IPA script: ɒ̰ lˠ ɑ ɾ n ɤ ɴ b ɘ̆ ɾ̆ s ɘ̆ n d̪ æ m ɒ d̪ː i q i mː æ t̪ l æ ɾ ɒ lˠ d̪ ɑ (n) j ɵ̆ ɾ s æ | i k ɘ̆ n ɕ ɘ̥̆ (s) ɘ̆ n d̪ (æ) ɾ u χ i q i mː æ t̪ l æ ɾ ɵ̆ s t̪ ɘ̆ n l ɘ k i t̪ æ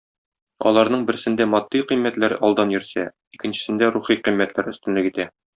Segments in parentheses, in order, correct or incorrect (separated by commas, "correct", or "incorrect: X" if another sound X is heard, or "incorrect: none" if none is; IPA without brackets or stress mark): correct, correct, correct